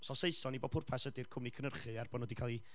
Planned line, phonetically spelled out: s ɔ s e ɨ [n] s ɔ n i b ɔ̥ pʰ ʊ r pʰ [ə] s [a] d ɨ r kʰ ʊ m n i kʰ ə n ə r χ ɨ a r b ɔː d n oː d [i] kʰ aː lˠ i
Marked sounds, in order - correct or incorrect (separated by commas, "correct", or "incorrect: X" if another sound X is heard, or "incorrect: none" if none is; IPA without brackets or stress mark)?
incorrect: none, incorrect: a, incorrect: ə, correct